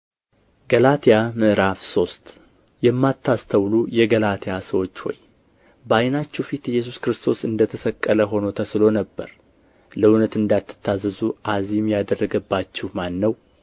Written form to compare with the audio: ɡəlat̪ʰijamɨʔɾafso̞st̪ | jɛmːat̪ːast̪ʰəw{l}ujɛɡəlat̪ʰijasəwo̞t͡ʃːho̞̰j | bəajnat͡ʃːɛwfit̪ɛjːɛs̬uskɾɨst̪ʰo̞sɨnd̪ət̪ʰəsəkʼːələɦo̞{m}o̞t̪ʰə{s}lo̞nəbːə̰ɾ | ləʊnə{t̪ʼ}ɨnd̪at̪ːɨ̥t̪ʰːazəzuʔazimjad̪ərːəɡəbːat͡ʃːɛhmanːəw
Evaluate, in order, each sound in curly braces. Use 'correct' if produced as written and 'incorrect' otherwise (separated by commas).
correct, incorrect, correct, incorrect